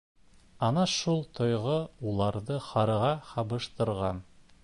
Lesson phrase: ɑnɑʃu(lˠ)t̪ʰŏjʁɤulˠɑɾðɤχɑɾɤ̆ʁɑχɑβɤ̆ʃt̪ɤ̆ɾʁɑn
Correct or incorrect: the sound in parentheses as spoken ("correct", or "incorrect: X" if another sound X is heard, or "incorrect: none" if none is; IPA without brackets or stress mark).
correct